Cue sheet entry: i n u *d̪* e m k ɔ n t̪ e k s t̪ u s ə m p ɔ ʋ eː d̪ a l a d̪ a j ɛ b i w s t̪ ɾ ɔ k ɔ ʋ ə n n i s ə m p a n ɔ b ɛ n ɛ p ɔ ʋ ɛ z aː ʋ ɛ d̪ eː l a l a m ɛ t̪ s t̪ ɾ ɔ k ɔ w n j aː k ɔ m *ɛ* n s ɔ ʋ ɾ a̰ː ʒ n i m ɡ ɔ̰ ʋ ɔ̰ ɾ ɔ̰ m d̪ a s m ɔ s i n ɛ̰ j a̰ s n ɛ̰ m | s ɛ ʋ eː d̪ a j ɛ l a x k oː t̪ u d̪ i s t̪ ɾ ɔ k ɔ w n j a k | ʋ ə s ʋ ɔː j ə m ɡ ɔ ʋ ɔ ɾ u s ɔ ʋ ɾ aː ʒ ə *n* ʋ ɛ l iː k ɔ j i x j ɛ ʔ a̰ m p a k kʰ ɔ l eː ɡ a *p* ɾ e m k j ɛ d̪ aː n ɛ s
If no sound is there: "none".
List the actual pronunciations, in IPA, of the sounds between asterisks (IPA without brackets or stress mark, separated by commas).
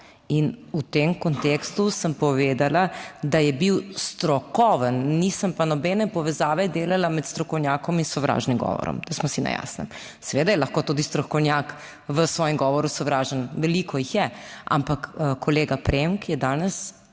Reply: t̪, i, n, p